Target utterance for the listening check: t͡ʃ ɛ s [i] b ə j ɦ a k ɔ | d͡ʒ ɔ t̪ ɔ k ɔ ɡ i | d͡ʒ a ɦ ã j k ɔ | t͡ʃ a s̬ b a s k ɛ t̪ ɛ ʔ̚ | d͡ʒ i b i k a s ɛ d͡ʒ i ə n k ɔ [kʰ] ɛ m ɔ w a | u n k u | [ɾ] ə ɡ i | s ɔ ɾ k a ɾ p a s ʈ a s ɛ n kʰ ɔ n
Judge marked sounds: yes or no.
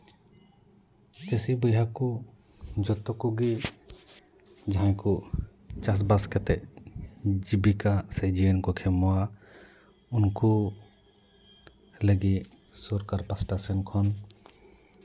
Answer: yes, yes, no

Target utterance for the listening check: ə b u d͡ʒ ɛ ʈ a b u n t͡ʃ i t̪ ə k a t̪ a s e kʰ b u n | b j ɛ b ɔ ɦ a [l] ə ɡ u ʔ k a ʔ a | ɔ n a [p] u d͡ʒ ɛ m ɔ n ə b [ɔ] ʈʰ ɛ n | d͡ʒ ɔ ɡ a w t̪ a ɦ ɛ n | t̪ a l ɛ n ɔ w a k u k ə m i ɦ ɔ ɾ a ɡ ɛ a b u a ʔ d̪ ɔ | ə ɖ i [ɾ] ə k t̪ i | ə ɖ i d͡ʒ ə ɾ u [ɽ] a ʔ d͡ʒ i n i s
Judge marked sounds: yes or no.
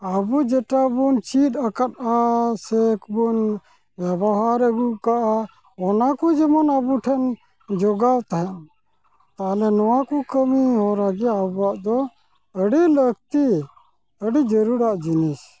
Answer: no, no, no, no, no

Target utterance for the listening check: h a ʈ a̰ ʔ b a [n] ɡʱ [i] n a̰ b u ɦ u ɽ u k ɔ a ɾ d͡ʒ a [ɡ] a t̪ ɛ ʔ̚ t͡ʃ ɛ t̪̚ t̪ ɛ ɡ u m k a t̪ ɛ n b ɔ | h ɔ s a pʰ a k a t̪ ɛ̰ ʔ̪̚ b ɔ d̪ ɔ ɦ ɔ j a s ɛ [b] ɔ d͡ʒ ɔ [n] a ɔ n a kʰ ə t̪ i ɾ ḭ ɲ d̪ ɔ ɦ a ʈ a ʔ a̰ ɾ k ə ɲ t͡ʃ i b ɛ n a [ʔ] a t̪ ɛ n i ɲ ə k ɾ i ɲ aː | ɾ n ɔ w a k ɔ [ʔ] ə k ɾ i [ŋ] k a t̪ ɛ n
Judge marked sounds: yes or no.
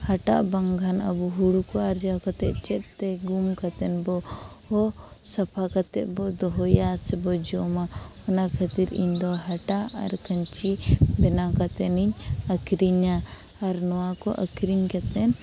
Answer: no, no, no, yes, no, no, yes, no

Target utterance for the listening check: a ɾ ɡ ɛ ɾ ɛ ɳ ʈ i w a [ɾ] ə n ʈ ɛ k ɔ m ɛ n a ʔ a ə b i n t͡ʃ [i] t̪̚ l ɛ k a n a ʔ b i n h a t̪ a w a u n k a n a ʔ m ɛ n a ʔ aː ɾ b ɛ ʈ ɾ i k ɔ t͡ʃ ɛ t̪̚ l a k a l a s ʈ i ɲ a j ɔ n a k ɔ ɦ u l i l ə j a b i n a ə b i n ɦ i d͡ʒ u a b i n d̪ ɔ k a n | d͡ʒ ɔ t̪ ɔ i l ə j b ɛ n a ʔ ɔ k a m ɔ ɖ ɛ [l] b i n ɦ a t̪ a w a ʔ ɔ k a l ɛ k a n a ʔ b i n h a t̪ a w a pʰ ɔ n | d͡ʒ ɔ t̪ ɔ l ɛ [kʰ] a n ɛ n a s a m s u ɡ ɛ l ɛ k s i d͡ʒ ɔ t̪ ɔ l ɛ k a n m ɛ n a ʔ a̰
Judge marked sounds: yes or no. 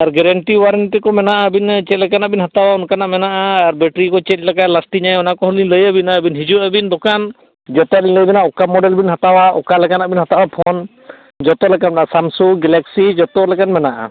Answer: yes, no, yes, no

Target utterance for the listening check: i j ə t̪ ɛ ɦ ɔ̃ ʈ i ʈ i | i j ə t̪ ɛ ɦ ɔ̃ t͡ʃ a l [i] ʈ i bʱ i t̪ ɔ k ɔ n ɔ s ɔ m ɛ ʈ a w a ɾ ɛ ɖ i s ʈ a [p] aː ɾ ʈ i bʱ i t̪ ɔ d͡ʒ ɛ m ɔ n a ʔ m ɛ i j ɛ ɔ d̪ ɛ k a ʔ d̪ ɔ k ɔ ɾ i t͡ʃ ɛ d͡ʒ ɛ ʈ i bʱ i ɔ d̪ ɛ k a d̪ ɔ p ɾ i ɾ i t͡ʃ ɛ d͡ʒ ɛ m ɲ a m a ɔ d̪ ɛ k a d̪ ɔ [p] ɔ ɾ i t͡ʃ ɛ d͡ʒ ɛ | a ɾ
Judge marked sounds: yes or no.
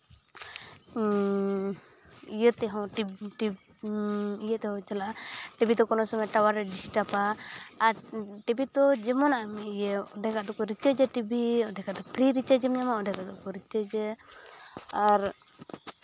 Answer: no, yes, no

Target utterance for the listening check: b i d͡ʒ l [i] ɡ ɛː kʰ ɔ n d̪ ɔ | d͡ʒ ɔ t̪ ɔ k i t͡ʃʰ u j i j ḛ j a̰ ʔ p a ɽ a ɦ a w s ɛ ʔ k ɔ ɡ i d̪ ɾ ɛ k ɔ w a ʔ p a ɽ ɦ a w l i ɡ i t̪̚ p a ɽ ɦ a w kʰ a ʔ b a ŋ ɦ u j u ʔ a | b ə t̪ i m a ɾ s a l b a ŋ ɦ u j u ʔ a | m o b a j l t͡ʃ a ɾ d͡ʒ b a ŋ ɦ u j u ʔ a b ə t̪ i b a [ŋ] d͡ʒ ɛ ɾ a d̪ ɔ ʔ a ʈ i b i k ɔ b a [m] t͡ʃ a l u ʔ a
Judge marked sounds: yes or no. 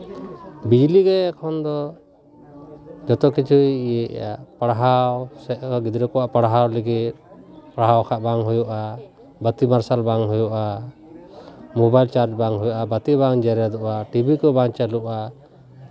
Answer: yes, yes, no

